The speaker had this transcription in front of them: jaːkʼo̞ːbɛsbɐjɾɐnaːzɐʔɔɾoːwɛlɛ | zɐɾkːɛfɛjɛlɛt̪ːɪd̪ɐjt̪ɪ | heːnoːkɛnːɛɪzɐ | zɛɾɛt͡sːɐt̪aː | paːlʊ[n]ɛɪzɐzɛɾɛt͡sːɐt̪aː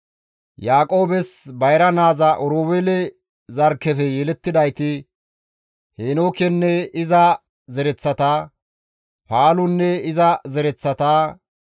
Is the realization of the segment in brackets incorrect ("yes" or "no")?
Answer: yes